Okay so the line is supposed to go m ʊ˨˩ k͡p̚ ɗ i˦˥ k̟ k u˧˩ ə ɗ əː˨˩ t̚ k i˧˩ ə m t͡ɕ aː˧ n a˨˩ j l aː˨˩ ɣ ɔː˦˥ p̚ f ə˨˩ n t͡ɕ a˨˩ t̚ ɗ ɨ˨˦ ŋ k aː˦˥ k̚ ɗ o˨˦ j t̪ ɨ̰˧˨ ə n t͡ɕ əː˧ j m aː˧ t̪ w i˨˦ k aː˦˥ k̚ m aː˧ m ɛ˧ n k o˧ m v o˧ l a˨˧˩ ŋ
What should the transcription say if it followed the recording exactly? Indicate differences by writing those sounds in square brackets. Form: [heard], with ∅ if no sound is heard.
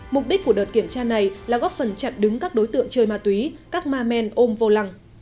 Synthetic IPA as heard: m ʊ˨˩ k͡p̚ ɗ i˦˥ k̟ k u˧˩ ə ɗ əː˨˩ t̚ k i˧˩ ə m t͡ɕ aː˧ n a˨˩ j l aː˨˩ ɣ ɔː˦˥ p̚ f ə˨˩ n t͡ɕ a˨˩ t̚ ɗ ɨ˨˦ ŋ k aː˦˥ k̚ ɗ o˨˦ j t̪ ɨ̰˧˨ ə [ŋ] t͡ɕ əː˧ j m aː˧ t̪ w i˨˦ k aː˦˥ k̚ m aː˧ m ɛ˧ n [ʔ] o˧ m v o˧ l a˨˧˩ ŋ